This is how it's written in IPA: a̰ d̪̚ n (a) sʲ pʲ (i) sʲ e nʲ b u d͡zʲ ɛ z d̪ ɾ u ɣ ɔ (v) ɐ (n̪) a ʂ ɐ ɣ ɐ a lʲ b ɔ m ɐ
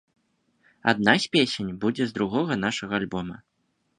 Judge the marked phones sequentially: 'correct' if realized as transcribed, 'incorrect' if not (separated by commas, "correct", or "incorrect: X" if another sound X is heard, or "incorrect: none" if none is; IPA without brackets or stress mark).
correct, incorrect: e, incorrect: ɣ, correct